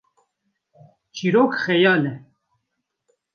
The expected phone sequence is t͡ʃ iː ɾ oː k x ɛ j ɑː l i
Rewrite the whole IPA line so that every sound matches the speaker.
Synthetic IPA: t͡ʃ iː ɾ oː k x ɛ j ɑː l ɛ